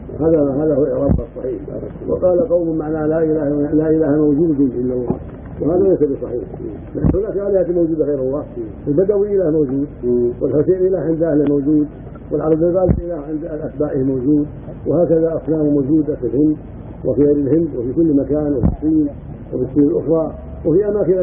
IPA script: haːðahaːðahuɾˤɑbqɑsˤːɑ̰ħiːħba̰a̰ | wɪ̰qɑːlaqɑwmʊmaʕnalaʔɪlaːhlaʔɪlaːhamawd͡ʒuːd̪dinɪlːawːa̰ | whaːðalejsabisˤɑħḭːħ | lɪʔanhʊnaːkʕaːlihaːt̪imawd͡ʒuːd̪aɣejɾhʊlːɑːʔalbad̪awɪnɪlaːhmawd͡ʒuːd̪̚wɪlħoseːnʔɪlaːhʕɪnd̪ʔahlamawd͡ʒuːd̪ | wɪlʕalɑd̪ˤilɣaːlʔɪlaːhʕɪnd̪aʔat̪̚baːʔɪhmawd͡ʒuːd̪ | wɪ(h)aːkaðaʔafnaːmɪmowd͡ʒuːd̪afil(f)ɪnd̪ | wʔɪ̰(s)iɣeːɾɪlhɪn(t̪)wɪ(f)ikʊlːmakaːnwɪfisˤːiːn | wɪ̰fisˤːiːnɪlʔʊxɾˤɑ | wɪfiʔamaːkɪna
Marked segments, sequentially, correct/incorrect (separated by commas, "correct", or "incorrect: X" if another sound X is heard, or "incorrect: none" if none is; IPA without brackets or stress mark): correct, incorrect: h, incorrect: f, incorrect: d̪, correct